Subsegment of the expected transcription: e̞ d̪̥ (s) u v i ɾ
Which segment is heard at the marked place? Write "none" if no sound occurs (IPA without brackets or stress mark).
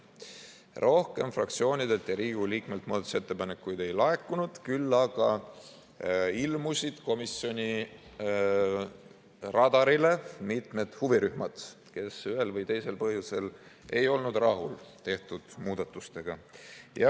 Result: h